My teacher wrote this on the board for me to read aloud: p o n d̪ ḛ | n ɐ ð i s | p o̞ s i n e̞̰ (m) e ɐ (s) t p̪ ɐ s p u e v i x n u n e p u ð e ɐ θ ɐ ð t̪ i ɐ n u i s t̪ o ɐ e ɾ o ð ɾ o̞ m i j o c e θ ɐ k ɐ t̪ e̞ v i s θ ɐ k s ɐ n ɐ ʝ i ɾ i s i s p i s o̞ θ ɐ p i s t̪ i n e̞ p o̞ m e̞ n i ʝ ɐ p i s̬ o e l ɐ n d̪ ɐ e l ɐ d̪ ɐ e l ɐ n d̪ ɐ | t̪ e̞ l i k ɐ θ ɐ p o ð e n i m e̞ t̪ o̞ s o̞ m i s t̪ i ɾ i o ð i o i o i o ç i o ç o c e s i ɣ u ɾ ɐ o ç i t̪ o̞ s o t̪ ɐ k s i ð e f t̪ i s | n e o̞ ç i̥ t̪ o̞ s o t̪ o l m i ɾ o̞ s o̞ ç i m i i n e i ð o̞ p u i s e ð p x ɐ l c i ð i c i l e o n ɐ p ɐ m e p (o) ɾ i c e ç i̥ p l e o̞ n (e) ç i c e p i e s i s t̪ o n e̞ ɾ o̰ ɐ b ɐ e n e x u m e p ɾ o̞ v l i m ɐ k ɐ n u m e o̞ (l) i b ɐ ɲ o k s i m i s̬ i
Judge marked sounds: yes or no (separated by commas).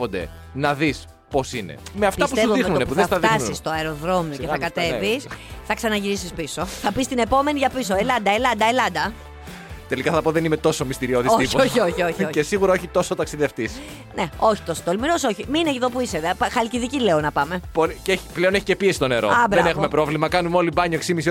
yes, no, yes, yes, yes